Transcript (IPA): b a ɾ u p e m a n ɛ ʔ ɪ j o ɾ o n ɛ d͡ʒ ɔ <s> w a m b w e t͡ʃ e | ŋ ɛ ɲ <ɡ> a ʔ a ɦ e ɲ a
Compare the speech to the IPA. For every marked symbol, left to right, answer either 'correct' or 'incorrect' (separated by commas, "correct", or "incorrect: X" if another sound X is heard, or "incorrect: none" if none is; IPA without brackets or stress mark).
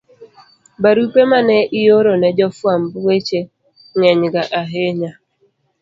incorrect: f, correct